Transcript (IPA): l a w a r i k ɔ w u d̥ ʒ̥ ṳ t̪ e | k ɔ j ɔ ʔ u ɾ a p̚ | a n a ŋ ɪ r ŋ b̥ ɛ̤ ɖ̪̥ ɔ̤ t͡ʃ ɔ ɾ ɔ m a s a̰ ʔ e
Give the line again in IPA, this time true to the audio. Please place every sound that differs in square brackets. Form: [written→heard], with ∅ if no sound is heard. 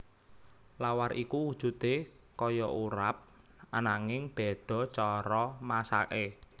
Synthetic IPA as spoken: l a w a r i k [ɔ→u] w u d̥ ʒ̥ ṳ t̪ e | k ɔ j ɔ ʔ u ɾ a p̚ | a n a ŋ ɪ [r→∅] ŋ b̥ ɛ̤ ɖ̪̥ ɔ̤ t͡ʃ ɔ ɾ ɔ m a s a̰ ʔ e